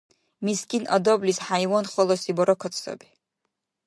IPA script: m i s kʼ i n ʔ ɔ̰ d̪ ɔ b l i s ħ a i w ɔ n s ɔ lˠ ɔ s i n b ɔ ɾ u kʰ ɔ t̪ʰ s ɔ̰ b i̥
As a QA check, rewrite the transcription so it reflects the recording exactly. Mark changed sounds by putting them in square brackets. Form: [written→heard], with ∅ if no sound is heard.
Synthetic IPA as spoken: m i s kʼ i n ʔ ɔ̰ d̪ ɔ b l i s ħ a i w ɔ n [s→χ] ɔ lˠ ɔ s i [n→∅] b ɔ ɾ [u→ɔ] kʰ ɔ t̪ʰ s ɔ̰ b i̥